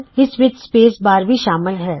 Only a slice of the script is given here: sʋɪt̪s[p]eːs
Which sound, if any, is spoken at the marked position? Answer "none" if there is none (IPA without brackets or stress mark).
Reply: p